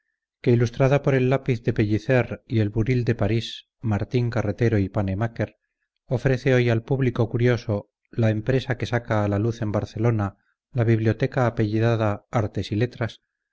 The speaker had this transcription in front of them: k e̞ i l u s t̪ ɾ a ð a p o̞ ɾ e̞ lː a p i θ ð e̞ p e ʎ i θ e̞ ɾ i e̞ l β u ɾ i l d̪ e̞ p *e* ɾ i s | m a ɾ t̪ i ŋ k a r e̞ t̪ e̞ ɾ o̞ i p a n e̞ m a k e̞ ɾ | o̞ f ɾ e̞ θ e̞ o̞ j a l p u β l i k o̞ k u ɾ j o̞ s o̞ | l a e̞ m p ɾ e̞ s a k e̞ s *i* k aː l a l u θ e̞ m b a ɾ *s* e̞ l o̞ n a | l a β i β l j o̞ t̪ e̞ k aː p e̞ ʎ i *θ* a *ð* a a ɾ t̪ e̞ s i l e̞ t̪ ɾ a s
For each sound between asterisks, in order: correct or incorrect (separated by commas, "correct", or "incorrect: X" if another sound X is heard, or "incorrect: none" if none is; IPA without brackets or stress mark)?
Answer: incorrect: a, incorrect: a, incorrect: θ, incorrect: ð, correct